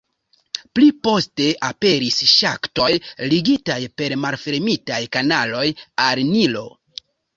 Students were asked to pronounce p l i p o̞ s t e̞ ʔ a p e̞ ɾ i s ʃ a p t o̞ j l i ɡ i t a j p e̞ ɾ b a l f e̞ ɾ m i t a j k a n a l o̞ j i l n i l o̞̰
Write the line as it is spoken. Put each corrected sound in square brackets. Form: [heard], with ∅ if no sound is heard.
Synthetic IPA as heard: p l i p o̞ s t e̞ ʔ a p e̞ ɾ i s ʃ a [k] t o̞ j l i ɡ i t a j p e̞ ɾ [m] a l f e̞ ɾ m i t a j k a n a l o̞ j [a] l n i l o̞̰